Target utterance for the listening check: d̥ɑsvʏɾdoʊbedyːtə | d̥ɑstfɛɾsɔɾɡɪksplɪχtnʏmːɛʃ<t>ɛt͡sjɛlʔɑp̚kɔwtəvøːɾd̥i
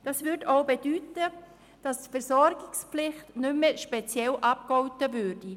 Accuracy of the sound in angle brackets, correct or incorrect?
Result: incorrect